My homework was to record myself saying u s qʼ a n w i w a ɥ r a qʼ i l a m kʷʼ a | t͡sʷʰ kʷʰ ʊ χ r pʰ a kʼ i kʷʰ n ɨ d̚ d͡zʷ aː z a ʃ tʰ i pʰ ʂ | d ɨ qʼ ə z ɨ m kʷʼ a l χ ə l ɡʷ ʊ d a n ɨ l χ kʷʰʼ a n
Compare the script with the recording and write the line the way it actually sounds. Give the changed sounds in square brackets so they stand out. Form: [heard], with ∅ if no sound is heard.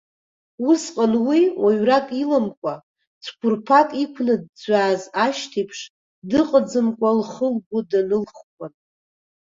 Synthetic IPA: u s qʼ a n w i w a ɥ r a [kʼ] i l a m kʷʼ a | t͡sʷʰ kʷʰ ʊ [∅] r pʰ a kʼ i kʷʰ n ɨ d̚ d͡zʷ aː z a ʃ tʰ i pʰ ʂ | d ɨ qʼ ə [d͡z] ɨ m kʷʼ a l χ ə l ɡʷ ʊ d a n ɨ l χ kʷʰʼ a n